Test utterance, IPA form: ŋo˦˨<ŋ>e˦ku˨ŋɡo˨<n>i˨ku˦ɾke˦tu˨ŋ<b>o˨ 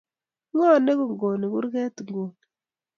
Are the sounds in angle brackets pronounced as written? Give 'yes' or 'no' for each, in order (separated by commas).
no, yes, no